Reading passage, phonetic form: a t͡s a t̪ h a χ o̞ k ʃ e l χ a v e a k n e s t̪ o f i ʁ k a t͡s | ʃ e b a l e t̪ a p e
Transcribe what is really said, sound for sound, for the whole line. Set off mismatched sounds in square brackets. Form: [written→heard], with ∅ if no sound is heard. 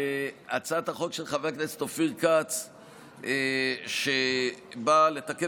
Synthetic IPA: a t͡s a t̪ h a χ o̞ k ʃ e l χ a v e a k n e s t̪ o f i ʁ k a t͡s | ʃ e b a l e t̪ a [p→k] e